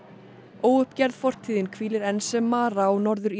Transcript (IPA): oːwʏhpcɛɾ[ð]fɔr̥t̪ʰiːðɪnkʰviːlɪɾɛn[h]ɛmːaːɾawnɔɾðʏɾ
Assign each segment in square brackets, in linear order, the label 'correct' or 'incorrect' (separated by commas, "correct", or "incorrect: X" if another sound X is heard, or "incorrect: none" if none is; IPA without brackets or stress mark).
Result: correct, incorrect: s